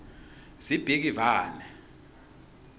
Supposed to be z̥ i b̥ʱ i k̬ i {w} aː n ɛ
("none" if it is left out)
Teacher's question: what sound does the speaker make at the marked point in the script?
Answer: v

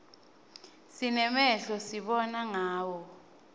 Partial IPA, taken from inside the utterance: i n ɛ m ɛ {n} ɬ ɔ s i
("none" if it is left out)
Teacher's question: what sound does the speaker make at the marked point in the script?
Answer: none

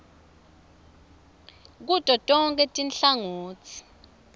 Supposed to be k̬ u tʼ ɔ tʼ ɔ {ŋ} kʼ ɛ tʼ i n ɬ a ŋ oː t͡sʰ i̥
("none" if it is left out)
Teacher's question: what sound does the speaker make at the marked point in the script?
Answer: ŋ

